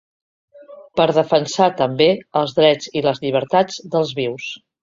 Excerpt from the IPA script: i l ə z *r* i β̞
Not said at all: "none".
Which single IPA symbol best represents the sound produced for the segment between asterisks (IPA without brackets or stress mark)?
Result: ʎ